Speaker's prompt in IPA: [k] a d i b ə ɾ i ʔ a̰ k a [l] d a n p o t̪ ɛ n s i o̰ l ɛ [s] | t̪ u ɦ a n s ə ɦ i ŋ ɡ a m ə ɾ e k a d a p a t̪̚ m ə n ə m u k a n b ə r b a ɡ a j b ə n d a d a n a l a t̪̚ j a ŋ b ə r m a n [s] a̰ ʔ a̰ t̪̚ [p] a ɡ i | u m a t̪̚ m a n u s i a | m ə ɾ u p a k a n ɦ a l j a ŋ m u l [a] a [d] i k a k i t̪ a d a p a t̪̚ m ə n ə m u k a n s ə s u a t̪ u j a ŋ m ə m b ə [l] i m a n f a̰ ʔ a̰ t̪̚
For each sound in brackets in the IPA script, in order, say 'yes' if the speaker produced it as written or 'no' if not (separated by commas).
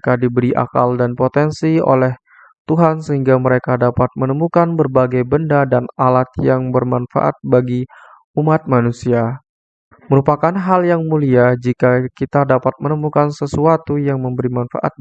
yes, yes, no, no, no, no, no, no